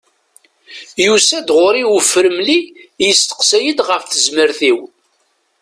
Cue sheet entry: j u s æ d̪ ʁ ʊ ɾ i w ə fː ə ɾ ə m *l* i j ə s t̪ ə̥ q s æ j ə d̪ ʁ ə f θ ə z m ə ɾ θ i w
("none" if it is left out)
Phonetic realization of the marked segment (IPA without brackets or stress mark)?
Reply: l